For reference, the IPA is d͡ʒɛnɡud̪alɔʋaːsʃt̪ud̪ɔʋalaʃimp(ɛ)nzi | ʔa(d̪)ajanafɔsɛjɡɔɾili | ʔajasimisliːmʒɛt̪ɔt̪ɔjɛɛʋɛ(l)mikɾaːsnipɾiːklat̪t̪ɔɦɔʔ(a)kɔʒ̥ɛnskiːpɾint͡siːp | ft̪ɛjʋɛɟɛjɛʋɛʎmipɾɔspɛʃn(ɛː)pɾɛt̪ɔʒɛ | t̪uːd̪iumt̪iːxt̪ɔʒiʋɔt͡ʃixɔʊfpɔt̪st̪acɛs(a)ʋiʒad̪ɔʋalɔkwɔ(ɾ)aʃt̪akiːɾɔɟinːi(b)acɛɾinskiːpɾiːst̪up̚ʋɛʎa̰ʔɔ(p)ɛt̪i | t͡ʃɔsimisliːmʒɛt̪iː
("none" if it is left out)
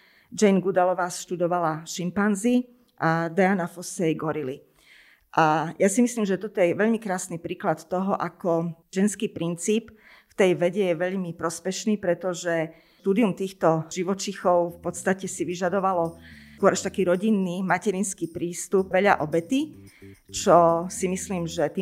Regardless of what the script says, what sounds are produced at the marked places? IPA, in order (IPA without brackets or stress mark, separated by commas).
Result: a, d̪, ʎ, a, iː, i, ɾ, m, b